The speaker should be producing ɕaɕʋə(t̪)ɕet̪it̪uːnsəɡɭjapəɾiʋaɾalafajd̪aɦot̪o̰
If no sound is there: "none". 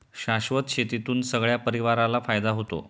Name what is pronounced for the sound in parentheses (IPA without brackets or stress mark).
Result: t̪